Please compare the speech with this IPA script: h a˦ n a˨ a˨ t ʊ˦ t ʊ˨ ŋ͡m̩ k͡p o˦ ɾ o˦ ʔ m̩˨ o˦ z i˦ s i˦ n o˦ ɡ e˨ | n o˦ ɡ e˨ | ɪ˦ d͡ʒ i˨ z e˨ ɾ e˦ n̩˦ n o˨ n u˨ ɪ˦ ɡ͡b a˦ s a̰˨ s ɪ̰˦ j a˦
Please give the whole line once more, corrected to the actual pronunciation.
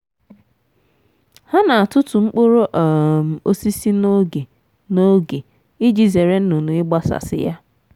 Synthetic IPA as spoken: h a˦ n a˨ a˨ t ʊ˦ t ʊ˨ ŋ͡m̩ k͡p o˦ ɾ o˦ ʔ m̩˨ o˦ s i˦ s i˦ n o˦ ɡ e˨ | n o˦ ɡ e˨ | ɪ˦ d͡ʒ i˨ z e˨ ɾ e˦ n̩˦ n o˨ n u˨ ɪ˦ ɡ͡b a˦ s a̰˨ s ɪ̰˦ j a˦